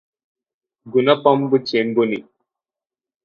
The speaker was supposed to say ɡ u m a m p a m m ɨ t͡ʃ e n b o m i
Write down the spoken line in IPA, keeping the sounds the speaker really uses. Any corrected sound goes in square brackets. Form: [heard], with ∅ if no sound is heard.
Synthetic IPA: ɡ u [n] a [∅] p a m [b] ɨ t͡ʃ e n b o [n] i